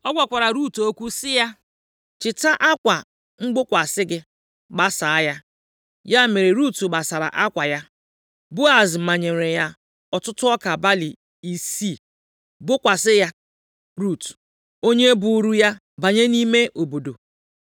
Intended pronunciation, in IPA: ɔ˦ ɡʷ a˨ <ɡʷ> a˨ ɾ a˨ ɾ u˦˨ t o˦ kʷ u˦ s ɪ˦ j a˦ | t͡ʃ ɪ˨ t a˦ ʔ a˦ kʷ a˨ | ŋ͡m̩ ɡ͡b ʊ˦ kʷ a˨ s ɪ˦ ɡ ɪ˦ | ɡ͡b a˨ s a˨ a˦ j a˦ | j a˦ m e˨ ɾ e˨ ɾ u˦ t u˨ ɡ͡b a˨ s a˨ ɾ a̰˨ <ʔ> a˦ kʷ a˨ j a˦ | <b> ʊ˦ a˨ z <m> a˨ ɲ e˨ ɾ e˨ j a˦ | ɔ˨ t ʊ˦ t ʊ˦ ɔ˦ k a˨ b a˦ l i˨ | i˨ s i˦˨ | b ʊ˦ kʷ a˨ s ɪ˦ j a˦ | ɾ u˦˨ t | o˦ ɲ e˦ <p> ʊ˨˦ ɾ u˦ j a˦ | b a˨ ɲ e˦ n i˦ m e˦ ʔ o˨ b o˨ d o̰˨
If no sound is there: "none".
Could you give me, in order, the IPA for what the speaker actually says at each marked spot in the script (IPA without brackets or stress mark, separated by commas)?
kʷ, ʔ, b, m, b